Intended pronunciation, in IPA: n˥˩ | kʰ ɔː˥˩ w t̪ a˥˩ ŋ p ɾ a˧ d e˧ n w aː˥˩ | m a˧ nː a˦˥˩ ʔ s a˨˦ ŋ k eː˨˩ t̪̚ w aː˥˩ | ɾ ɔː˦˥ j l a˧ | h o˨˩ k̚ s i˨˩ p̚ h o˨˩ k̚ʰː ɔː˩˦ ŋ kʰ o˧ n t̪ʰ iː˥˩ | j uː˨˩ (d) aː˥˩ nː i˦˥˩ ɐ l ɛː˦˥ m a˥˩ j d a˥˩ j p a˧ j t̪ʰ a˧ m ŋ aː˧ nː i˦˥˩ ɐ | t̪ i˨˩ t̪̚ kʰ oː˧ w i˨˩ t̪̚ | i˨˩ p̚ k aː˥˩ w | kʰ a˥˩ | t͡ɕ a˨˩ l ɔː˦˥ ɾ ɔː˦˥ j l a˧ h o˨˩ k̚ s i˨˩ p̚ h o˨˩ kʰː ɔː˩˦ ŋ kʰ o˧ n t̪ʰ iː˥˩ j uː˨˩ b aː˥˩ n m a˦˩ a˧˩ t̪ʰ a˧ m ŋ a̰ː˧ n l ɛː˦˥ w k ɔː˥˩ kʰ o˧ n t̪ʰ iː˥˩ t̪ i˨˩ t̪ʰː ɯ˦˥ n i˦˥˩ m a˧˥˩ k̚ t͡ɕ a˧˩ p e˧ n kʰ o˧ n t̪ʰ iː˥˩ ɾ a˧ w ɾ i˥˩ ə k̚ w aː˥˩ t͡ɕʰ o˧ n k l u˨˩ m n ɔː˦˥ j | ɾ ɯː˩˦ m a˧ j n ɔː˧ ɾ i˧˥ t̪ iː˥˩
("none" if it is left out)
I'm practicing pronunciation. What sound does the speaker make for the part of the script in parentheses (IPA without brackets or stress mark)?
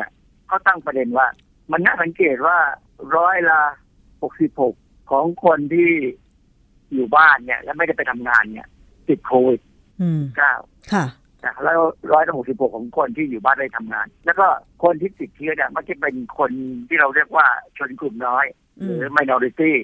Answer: b